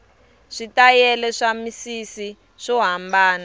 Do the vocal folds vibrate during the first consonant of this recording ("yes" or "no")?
no